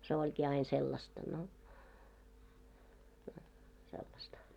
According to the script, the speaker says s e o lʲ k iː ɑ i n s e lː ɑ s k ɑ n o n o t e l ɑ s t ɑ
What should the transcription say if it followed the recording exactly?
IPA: s e o lʲ k iː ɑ i n s e lː ɑ s t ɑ n o n o s e lː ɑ s t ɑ